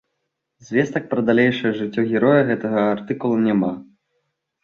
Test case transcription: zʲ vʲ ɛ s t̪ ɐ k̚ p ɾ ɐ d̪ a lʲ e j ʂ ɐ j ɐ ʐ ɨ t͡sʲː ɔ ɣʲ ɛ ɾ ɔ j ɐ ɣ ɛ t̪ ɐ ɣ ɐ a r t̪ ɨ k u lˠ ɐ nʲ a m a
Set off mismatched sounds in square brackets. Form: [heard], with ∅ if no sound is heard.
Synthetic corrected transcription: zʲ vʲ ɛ s t̪ ɐ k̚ p ɾ ɐ d̪ a lʲ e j ʂ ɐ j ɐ ʐ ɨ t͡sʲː ɔ ɣʲ ɛ ɾ ɔ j ɐ ɣ ɛ t̪ ɐ ɣ ɐ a r t̪ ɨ k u lˠ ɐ nʲ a m a